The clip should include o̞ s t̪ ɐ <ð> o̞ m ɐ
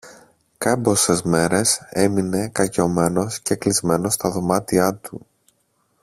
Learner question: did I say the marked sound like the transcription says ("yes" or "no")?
yes